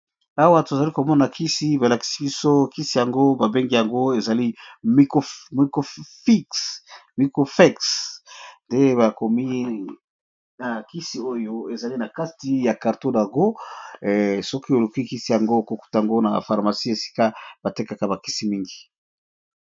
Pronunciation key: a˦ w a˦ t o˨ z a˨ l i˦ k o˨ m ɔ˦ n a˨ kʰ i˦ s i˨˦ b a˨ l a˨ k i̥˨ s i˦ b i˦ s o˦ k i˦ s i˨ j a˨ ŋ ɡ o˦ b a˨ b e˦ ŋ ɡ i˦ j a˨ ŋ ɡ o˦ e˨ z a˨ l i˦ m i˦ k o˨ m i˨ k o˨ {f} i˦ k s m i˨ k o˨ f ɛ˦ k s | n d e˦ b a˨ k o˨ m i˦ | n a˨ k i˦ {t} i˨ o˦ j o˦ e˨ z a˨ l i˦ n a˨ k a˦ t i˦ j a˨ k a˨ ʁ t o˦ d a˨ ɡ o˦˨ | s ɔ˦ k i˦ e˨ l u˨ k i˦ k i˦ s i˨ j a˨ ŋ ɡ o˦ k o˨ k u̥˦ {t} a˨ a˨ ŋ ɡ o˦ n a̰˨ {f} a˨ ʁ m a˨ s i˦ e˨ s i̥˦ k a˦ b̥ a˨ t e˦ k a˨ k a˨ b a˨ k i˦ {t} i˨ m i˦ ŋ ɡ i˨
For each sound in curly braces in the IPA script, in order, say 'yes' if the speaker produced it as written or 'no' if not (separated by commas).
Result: yes, no, yes, yes, no